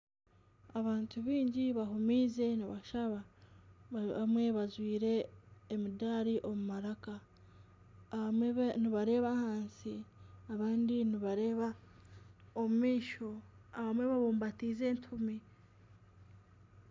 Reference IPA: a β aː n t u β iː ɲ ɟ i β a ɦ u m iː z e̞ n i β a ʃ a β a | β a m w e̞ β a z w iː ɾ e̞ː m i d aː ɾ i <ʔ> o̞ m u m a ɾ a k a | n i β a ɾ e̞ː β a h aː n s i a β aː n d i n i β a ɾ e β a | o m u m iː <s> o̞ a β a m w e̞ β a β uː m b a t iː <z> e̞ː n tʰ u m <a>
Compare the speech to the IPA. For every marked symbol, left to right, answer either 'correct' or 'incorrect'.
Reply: correct, incorrect, correct, incorrect

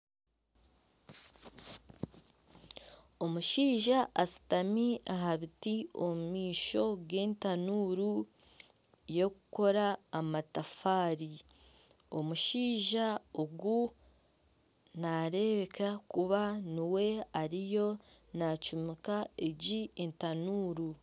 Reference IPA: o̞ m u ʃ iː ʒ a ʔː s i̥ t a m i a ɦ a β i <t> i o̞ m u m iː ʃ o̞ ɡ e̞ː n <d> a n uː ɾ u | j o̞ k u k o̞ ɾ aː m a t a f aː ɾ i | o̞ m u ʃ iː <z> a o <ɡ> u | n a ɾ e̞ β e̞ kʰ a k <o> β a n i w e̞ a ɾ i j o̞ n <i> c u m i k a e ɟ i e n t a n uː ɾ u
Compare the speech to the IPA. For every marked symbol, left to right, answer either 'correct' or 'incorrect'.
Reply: correct, incorrect, incorrect, correct, incorrect, incorrect

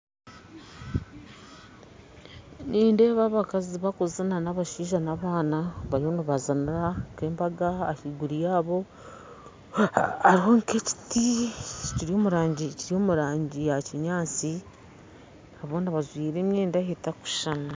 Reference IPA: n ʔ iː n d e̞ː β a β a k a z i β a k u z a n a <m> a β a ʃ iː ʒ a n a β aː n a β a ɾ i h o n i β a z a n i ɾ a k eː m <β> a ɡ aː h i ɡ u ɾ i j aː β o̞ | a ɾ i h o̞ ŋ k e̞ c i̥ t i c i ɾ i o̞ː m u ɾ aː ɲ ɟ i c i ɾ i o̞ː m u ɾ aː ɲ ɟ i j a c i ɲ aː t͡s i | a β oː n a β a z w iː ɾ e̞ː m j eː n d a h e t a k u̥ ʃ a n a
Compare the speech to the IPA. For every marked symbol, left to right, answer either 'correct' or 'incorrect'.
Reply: incorrect, incorrect

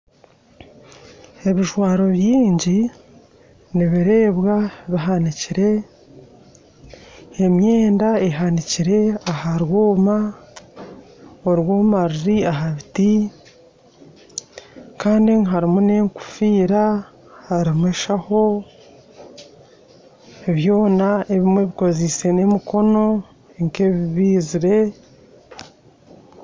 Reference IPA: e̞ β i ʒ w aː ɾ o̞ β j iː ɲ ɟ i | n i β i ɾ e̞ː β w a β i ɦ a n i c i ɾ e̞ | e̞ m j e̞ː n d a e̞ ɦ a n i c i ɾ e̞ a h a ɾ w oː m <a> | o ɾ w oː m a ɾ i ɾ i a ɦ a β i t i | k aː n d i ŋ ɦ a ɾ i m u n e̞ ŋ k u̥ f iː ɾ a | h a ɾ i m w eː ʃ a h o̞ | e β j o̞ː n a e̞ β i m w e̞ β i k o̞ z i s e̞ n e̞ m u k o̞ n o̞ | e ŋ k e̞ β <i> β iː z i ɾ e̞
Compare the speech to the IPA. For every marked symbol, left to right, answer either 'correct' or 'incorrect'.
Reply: correct, correct

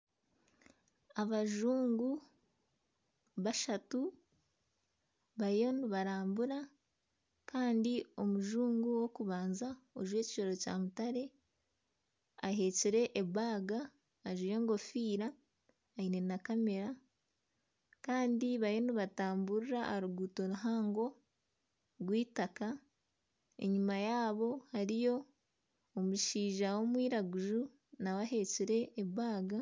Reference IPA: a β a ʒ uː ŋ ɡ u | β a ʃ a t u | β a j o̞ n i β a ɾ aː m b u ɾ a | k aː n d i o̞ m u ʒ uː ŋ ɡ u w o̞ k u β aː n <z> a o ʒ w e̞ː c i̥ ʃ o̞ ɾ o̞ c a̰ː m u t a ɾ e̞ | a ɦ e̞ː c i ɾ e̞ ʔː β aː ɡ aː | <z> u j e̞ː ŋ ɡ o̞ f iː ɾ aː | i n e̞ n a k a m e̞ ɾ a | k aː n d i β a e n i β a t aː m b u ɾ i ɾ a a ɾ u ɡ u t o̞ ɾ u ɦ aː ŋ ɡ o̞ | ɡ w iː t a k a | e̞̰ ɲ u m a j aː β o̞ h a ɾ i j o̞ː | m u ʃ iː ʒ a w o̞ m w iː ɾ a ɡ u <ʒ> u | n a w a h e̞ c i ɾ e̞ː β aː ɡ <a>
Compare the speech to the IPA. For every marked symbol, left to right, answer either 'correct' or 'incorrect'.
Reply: correct, incorrect, correct, correct

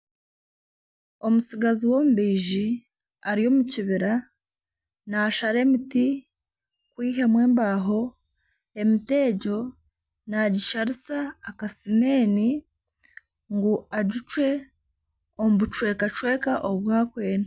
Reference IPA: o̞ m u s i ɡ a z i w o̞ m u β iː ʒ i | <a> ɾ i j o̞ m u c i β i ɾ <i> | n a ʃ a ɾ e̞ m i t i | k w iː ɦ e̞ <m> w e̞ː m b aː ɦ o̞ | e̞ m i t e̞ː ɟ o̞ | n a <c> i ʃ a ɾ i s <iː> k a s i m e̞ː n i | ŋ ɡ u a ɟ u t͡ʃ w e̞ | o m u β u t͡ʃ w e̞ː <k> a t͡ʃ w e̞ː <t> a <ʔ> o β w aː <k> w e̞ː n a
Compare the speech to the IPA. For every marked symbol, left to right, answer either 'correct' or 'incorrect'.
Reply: correct, incorrect, correct, incorrect, incorrect, correct, incorrect, correct, correct

